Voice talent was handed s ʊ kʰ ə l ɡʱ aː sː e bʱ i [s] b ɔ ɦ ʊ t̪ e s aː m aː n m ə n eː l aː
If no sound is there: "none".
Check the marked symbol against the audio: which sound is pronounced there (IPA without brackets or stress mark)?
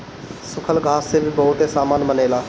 none